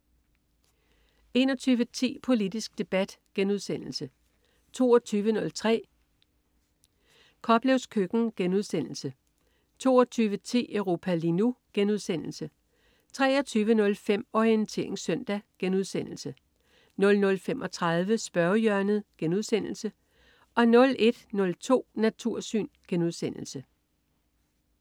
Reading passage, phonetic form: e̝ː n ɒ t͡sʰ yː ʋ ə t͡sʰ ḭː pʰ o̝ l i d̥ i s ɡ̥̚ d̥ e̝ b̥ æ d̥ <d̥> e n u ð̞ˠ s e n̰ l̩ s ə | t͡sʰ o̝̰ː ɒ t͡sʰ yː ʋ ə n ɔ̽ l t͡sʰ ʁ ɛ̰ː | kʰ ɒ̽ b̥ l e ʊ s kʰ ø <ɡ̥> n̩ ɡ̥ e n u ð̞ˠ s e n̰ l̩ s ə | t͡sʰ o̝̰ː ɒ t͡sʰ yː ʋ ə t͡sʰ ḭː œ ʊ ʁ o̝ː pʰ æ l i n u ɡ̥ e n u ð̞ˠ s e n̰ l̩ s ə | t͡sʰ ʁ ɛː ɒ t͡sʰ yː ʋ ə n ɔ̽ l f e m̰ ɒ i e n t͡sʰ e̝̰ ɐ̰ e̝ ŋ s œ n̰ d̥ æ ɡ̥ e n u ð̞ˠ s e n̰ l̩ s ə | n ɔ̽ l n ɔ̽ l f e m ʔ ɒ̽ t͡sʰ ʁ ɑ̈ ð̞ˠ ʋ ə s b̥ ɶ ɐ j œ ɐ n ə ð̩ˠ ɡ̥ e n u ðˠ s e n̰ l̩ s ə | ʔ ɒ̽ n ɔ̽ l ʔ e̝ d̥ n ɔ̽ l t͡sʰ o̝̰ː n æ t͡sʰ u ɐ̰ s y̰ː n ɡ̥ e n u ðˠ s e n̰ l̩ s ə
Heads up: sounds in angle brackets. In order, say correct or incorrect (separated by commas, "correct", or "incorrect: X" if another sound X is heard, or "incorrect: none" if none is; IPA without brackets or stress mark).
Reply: incorrect: ɡ̥, correct